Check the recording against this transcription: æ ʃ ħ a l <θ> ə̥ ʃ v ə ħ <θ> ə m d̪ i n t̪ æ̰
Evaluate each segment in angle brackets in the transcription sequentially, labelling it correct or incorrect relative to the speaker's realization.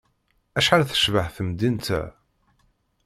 correct, correct

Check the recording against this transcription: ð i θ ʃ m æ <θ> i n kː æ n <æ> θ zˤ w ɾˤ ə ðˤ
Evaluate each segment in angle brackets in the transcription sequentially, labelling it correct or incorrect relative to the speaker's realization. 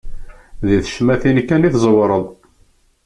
correct, incorrect: i

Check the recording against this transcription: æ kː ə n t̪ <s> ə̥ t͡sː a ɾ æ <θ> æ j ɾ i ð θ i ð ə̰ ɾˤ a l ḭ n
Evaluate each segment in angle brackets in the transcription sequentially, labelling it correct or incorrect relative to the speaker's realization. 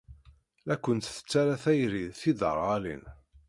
incorrect: θ, correct

